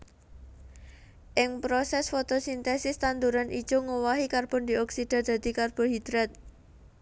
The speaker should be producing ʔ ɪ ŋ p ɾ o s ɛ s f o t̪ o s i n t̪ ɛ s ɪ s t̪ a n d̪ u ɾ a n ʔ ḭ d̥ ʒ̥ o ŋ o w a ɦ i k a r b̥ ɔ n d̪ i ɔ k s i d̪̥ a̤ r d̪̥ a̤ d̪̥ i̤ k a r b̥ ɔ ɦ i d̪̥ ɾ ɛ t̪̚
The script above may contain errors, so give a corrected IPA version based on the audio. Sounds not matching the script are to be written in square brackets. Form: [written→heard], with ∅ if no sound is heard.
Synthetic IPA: ʔ ɪ ŋ p ɾ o s ɛ s f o t̪ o s i n t̪ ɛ s ɪ s t̪ a n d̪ u ɾ a n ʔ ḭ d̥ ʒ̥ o ŋ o w a ɦ i k a r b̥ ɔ n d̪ i ɔ k s i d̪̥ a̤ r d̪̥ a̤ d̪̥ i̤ k a r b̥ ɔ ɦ i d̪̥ ɾ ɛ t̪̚